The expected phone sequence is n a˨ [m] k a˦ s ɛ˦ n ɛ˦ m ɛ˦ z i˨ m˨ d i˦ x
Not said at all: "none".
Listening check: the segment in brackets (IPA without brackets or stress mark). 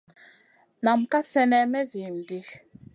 m